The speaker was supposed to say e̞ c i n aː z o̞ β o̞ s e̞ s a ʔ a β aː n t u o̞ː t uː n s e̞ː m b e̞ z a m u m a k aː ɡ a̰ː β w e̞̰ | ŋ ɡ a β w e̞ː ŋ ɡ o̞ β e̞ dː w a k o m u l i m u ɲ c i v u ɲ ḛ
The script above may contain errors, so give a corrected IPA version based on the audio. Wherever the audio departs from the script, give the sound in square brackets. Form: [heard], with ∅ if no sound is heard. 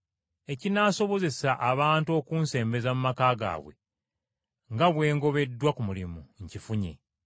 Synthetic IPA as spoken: e̞ c i n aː [s] o̞ β o̞ [z] e̞ s a ʔ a β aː n t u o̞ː [k] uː n s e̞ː m b e̞ z a m u m a k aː ɡ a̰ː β w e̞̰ | ŋ ɡ a β w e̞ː ŋ ɡ o̞ β e̞ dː w a k [u] m u l i m u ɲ c i [f] u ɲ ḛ